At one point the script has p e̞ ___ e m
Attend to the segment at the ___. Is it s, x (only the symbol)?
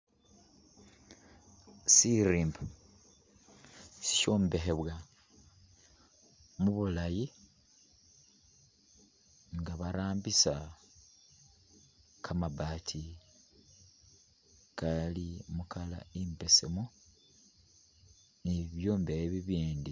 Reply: s